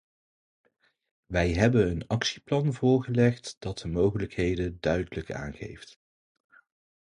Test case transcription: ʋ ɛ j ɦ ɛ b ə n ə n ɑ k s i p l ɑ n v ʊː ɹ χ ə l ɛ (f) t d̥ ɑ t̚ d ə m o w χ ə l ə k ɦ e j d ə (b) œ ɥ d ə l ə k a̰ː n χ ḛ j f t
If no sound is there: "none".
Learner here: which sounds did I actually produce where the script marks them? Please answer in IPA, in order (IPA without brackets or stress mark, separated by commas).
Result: χ, d